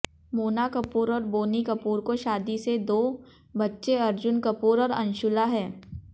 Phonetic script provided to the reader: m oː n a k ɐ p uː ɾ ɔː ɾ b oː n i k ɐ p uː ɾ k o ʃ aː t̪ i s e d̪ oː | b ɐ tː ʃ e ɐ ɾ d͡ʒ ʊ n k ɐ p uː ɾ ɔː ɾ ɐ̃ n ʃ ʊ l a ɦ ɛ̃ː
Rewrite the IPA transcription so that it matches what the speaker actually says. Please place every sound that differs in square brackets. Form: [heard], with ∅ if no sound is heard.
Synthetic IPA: m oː n a k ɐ p uː ɾ ɔː ɾ b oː n i k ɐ p uː ɾ k o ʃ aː [d̪] i s e d̪ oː | b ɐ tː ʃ e ɐ ɾ d͡ʒ ʊ n k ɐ p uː ɾ ɔː ɾ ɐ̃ n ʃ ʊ l a ɦ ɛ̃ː